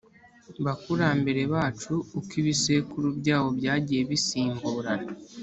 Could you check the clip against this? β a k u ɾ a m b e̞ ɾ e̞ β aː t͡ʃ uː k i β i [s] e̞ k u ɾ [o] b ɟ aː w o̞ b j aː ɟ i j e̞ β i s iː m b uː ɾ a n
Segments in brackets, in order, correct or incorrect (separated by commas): correct, incorrect